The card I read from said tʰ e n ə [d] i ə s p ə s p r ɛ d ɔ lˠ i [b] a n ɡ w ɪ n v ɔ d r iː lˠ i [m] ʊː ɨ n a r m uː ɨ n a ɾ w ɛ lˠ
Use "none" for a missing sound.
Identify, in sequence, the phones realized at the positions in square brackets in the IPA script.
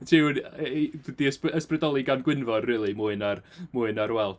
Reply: d, ɡ, m

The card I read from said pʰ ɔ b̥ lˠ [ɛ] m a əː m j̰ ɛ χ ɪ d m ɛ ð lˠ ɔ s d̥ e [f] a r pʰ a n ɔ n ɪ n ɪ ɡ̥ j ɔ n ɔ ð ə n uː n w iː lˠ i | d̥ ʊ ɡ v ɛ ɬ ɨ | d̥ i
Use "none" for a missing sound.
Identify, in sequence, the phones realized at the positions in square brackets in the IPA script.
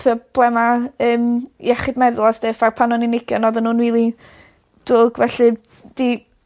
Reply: ɛ, f

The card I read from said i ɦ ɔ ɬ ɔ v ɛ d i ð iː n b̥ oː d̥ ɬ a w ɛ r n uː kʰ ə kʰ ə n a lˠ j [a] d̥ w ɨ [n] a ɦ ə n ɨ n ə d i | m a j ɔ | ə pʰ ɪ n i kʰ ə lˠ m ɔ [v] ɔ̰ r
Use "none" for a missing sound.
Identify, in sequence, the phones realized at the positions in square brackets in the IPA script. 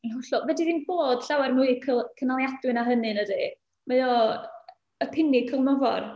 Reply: a, n, v

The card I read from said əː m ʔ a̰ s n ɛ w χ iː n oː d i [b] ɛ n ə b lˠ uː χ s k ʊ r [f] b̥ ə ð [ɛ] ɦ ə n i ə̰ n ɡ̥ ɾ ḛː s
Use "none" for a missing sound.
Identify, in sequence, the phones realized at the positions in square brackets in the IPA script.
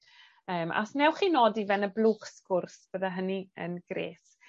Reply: v, s, a

